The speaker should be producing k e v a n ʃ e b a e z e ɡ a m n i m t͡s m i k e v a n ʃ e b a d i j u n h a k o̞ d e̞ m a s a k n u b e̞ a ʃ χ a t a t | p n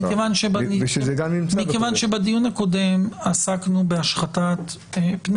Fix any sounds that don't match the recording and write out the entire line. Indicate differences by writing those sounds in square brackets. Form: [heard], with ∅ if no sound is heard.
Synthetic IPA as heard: k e v a n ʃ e b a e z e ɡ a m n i m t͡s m i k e v a n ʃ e b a d i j u n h a k o̞ d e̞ m a s a k n u b e̞ a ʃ χ a t a t | p n